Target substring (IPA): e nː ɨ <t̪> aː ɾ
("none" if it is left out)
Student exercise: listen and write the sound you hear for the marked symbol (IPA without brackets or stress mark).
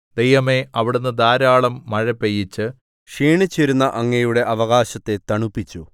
d̪